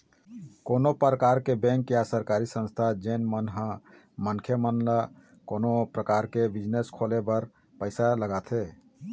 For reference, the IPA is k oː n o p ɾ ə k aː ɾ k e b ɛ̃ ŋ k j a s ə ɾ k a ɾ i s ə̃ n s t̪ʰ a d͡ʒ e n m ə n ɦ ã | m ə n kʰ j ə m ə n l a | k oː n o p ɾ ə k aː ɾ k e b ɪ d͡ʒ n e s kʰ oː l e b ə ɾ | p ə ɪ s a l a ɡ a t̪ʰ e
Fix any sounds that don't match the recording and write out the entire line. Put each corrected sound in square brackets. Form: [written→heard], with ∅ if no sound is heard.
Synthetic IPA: k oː n o p ɾ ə k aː ɾ k e b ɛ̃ ŋ k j a s ə ɾ k a ɾ i s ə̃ n s t̪ʰ a d͡ʒ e n m ə n ɦ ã | m ə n kʰ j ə m ə n l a | k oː n o p ɾ ə k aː ɾ k e b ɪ d͡ʒ n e s kʰ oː l e b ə ɾ | p ə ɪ s a l [a→ə] ɡ a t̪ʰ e